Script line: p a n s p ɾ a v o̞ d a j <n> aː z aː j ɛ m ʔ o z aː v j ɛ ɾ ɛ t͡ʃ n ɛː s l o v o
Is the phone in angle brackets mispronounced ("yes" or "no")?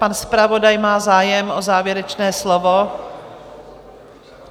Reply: yes